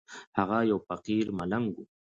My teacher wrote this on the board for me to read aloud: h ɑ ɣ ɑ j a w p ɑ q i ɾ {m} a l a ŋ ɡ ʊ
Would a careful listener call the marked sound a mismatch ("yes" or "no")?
no